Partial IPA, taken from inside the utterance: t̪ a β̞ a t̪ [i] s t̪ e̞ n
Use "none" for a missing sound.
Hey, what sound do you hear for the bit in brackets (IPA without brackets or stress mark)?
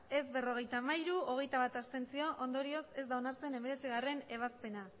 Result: a